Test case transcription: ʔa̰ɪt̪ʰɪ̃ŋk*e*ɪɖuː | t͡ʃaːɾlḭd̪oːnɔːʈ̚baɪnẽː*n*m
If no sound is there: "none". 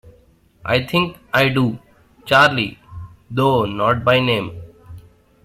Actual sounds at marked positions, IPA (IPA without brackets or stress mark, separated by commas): a, none